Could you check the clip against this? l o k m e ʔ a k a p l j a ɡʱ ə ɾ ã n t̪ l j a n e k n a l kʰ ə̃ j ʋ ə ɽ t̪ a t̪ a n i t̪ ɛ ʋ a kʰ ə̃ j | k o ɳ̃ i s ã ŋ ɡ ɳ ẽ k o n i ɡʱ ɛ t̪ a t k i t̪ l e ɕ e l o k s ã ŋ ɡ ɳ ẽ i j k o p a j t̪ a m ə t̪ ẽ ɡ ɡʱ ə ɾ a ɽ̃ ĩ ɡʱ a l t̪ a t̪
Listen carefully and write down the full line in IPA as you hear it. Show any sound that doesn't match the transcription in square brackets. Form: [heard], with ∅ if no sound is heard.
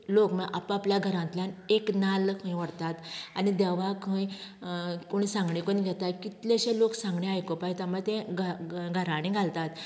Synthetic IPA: l o k m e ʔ a [p] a p l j a ɡʱ ə ɾ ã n t̪ l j a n e k n a l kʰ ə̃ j ʋ ə ɽ t̪ a t̪ a n i [d̪] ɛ ʋ a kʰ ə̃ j | k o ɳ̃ i s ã ŋ ɡ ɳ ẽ k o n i ɡʱ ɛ t̪ a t k i t̪ l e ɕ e l o k s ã ŋ ɡ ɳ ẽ [a] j k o p a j t̪ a m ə t̪ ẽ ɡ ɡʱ ə ɾ a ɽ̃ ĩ ɡʱ a l t̪ a t̪